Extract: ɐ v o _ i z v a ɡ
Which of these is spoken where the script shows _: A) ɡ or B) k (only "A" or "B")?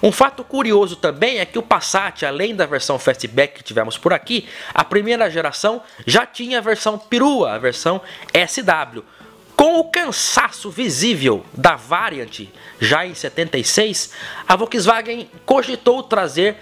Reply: B